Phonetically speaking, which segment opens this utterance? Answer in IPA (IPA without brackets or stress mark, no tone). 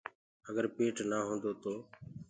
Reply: ə